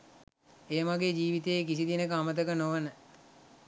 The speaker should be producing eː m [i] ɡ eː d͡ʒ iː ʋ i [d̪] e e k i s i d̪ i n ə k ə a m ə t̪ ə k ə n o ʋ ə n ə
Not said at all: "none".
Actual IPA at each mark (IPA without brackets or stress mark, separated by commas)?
a, t̪